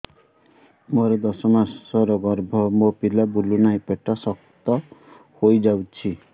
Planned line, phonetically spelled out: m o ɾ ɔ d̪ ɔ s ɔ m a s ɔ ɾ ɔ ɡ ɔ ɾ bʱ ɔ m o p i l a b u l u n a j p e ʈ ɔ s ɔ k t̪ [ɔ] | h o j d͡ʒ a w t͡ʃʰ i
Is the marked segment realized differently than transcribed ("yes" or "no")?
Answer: no